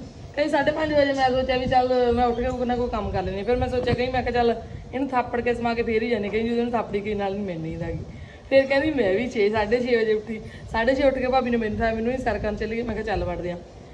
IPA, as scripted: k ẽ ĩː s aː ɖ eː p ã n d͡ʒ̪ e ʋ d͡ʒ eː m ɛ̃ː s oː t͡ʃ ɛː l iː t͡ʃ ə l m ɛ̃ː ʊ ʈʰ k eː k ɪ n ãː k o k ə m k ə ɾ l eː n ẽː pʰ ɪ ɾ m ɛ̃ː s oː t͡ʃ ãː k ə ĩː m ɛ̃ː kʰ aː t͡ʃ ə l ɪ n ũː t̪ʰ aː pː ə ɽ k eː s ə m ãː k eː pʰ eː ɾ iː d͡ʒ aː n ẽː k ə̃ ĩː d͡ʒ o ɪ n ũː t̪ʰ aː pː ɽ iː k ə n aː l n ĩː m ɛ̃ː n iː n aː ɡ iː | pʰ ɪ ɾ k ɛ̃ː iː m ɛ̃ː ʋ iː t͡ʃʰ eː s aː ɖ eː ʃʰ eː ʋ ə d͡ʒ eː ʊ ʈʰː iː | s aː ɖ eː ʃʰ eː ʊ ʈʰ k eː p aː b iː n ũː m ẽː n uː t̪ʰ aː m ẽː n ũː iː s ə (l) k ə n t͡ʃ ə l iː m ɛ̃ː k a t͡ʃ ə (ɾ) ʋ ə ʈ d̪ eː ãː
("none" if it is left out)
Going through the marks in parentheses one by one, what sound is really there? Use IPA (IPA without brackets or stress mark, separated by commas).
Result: ɾ, l